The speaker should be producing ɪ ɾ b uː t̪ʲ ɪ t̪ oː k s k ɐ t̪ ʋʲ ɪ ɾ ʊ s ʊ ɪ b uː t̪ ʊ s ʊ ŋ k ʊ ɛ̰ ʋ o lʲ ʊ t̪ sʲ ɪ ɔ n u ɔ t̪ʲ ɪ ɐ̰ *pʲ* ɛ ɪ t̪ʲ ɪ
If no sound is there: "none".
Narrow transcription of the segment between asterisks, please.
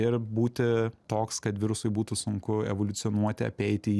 pʲ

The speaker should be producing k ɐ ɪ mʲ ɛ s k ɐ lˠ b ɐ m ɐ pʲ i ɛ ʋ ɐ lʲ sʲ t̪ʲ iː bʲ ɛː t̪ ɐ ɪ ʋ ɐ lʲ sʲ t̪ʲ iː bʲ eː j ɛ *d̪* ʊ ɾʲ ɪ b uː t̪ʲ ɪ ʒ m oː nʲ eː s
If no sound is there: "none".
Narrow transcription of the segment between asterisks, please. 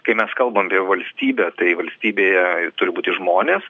t̪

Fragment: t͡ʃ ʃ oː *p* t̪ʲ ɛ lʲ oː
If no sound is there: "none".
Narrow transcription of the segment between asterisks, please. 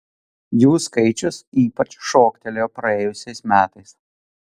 k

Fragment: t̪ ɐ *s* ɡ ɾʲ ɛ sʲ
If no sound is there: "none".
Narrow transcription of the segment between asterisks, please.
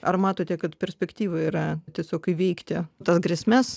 s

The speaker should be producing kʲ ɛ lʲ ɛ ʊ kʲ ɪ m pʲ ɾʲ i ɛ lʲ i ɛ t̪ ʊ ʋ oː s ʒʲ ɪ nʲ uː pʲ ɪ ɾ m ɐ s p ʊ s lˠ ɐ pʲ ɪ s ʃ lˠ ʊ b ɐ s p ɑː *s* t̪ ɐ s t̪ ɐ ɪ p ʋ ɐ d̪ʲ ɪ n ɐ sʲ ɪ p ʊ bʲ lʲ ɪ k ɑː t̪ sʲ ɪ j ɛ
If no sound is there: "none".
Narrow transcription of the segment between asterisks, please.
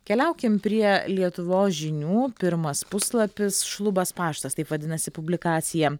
ʃ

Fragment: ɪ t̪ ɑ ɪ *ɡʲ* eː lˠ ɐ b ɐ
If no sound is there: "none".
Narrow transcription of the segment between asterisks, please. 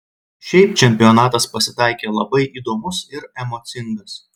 kʲ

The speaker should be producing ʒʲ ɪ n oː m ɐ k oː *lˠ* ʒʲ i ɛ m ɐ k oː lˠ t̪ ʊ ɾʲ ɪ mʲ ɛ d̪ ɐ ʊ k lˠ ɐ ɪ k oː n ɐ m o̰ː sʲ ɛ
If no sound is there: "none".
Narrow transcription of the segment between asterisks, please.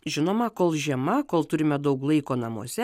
lˠ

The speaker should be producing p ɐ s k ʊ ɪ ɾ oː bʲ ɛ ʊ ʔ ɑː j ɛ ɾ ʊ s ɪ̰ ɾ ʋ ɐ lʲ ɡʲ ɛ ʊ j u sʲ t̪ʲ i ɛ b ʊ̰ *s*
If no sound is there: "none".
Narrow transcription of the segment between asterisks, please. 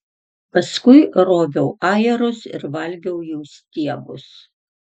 s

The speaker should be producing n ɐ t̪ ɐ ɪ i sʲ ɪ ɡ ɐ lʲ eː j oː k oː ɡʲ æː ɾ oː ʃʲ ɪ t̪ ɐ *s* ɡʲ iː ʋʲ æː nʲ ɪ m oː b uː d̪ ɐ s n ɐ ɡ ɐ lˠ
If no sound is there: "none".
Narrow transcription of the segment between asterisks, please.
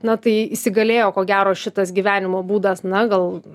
s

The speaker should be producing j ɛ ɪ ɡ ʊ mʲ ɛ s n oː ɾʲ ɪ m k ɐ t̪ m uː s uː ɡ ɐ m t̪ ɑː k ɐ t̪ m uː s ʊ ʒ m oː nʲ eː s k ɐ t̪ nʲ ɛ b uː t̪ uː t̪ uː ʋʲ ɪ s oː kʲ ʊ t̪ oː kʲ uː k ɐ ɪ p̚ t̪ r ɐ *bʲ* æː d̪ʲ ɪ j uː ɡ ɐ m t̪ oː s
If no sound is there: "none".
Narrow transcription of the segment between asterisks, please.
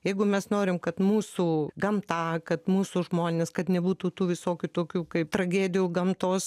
ɡʲ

